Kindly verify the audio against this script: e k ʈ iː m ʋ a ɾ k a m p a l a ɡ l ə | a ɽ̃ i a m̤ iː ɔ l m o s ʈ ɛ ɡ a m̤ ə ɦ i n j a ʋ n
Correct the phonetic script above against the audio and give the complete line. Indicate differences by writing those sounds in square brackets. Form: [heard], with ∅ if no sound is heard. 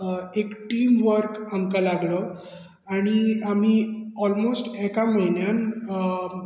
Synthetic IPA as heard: e k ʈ iː m ʋ [ə] ɾ k a m [k] a l a ɡ l ə | a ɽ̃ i a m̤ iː ɔ l m o s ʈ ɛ [k] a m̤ ə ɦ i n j a [∅] n